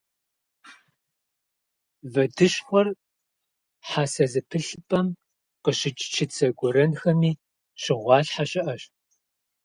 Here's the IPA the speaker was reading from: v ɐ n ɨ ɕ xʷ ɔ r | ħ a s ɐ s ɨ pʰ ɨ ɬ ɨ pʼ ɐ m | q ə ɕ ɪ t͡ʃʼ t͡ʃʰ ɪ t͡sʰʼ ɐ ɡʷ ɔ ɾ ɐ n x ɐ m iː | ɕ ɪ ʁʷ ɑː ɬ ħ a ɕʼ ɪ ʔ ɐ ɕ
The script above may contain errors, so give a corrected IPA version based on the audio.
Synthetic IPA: v ɐ d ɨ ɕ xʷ ɔ r | ħ a s ɐ z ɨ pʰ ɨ ɬ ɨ pʼ ɐ m | q ə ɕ ɪ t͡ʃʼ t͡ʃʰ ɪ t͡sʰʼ ɐ ɡʷ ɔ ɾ ɐ n x ɐ m iː | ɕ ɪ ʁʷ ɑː ɬ ħ a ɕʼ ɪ ʔ ɐ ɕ